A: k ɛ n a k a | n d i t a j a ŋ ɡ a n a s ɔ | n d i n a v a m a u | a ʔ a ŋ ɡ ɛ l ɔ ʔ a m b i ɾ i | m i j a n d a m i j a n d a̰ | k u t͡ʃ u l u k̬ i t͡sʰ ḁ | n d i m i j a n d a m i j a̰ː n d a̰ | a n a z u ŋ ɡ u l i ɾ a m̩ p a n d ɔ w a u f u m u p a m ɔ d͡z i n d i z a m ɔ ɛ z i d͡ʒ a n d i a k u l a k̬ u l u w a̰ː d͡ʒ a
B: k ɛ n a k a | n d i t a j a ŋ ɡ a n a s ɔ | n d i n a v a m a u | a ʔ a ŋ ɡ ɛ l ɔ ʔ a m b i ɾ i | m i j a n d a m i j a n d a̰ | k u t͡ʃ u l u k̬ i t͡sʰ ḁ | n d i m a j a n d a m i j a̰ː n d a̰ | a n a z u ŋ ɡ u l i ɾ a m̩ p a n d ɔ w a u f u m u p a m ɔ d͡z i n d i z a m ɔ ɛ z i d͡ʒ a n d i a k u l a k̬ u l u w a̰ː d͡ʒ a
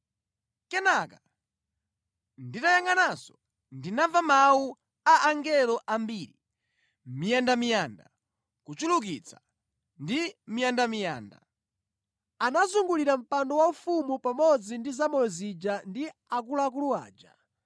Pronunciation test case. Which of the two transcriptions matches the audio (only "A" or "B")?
A